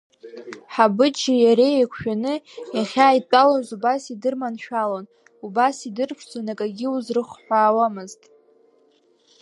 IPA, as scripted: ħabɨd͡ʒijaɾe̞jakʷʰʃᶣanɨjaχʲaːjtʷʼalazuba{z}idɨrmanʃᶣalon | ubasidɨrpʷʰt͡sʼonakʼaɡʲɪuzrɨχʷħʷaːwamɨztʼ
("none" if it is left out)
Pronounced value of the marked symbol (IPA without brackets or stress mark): s